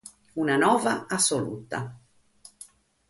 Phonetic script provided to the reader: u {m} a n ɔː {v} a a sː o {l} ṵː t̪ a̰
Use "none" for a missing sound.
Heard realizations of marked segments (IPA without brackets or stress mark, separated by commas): n, v, l